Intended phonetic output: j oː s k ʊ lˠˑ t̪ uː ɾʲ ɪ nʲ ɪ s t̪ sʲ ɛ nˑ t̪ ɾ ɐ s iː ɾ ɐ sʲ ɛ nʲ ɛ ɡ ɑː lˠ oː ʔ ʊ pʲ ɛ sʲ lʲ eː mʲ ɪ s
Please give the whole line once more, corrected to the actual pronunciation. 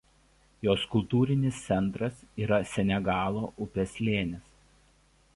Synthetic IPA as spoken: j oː s k ʊ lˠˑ t̪ uː ɾʲ ɪ nʲ ɪ s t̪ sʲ ɛ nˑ t̪ ɾ ɐ s iː ɾ ɐ sʲ ɛ nʲ ɛ ɡ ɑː lˠ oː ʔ ʊ pʲ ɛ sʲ lʲ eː nʲ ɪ s